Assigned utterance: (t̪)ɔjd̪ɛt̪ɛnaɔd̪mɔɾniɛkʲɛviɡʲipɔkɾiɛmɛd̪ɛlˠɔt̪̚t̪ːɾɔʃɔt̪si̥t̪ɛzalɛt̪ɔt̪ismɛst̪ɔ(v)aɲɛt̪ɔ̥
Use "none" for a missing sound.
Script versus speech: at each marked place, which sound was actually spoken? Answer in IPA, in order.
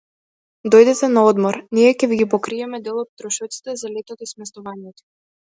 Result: d̪, v

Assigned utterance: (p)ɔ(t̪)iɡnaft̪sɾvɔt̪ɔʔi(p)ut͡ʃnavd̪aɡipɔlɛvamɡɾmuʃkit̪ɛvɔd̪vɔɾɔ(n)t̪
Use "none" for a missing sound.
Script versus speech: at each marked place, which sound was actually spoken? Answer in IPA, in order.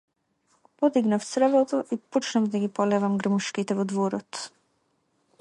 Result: p, d̪, p, none

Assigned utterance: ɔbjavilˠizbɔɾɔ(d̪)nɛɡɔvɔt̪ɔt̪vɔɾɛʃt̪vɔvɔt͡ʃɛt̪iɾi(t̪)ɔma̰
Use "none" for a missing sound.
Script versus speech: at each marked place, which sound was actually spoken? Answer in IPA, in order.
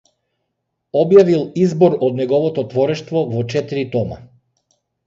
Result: d̪, t̪

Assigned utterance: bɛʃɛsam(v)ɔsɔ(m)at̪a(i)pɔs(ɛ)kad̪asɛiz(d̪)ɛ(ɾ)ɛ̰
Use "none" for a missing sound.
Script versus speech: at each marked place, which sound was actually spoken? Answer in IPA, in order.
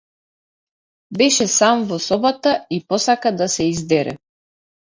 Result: v, b, i, a, d̪, ɾ

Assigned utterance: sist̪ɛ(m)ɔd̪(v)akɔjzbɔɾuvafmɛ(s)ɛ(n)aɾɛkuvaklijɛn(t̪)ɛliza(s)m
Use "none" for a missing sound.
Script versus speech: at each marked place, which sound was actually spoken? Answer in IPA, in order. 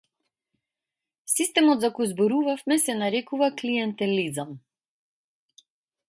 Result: m, z, s, n, t̪, none

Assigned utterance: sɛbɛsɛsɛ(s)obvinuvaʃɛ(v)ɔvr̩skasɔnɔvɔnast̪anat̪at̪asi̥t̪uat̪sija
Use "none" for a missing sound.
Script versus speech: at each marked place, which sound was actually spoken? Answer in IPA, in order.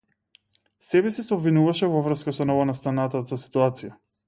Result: none, v

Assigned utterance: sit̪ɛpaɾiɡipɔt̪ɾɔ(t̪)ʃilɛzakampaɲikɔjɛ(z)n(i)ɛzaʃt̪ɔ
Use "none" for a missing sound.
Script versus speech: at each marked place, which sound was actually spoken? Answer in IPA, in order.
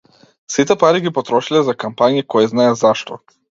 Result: none, z, a

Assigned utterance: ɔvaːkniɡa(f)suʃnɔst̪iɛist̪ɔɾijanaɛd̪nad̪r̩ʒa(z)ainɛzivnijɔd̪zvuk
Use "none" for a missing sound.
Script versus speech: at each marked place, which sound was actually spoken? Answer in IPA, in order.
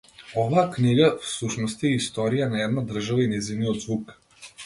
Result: f, v

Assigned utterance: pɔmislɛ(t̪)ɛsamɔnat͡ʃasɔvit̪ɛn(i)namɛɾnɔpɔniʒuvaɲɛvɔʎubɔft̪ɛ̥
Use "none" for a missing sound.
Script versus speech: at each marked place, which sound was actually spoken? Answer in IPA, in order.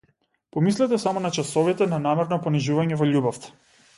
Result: t̪, a

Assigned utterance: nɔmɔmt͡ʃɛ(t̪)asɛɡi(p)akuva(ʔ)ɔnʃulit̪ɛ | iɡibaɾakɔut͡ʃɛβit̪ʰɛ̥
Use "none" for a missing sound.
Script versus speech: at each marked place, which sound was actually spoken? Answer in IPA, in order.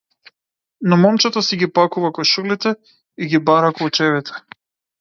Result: t̪, p, k

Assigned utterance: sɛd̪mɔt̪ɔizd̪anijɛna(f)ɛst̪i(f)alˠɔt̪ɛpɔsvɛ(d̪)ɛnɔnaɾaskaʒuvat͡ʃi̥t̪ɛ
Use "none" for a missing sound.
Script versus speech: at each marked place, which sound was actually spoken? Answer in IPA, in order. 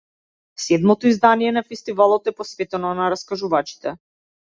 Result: f, v, t̪

